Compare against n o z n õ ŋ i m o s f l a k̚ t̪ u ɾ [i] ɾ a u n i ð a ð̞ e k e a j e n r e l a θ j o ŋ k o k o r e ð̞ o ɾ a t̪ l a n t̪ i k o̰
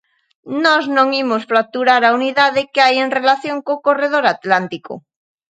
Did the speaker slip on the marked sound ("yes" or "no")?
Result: yes